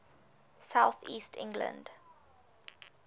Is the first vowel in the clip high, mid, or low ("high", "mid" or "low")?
low